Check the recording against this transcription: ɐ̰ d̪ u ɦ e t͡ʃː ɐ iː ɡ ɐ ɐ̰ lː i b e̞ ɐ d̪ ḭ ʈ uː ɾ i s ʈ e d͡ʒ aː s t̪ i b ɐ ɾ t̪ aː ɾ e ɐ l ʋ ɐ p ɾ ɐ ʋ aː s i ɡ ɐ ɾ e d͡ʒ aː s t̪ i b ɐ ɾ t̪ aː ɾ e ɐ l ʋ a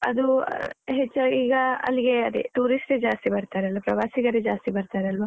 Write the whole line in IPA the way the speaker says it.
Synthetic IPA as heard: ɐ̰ d̪ u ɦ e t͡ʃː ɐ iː ɡ ɐ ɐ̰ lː i ɡ e̞ ɐ d̪ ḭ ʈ uː ɾ i s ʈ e d͡ʒ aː s t̪ i b ɐ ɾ t̪ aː ɾ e ɐ l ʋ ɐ p ɾ ɐ ʋ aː s i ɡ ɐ ɾ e d͡ʒ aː s t̪ i b ɐ ɾ t̪ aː ɾ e ɐ l ʋ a

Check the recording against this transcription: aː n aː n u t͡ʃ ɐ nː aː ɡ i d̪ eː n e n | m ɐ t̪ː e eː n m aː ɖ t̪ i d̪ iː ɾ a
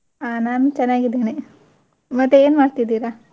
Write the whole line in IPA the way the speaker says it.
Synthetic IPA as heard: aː n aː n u t͡ʃ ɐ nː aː ɡ i d̪ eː n e | m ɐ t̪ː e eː n m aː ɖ t̪ i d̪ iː ɾ a

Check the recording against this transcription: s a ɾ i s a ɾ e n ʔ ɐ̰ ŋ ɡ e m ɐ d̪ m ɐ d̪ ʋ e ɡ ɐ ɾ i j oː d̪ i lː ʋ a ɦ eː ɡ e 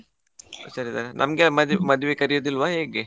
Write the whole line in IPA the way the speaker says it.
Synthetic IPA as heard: s ɐ ɾ i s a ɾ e n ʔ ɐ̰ m ɡ e m ɐ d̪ m ɐ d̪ ʋ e k ɐ ɾ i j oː d̪ i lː ʋ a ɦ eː ɡ e

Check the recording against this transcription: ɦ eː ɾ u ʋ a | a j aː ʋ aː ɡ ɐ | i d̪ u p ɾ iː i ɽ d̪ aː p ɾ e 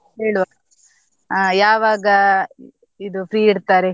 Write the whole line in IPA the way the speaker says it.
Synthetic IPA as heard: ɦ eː ɭ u ʋ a | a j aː ʋ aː ɡ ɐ | i d̪ u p ɾ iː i ɽ t̪ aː ɾ e

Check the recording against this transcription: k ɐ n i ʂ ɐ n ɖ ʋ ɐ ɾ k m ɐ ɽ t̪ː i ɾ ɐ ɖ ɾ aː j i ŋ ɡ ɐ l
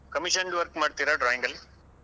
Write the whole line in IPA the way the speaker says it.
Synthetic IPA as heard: k ɐ m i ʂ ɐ n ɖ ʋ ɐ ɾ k m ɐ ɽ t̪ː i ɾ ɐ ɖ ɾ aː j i ŋ ɡ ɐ l

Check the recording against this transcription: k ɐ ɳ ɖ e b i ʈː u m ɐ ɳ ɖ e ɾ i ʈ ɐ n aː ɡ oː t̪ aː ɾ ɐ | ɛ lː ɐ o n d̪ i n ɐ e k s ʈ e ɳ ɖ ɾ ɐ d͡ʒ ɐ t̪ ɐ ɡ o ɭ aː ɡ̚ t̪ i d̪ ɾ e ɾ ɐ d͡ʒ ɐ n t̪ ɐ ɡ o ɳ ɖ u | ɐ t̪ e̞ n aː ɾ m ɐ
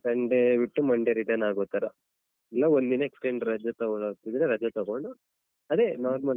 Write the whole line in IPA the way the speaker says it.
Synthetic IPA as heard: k ɐ ɳ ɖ e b i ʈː u m ɐ ɳ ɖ e ɾ i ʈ ɐ n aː ɡ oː t̪ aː ɾ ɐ | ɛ lː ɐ o n d̪ i n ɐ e k s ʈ e ɳ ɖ ɾ ɐ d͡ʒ ɐ t̪ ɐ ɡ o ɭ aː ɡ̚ t̪ i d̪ ɾ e ɾ ɐ d͡ʒ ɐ t̪ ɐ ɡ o ɳ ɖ u | ɐ d̪ e̞ n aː ɾ m ɐ

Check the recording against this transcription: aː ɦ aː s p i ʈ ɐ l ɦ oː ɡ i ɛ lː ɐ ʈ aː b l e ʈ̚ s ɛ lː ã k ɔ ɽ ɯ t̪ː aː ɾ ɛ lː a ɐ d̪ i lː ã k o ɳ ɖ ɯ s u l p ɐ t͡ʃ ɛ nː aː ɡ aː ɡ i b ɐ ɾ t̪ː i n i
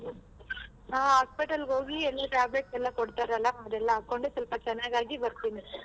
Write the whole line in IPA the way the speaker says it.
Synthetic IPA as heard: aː ɦ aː s p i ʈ ɐ l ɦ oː ɡ i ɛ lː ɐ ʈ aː b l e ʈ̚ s ɛ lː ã k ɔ ɽ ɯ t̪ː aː ɾ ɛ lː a ɐ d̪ ɛ lː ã k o ɳ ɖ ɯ s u l p ɐ t͡ʃ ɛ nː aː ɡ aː ɡ i b ɐ ɾ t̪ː i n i

